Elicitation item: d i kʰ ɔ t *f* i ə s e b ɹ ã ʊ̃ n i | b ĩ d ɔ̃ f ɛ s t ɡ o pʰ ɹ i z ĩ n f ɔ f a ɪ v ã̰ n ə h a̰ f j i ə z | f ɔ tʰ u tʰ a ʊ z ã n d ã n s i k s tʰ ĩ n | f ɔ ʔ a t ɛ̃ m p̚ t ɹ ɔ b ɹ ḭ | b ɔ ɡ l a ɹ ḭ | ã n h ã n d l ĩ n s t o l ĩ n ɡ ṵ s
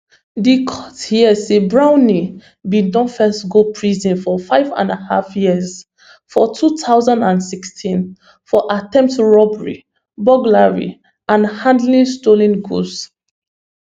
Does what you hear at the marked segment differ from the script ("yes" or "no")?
yes